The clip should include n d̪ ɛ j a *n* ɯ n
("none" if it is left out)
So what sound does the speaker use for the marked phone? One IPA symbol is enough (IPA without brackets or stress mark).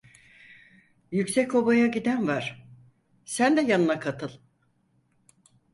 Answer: n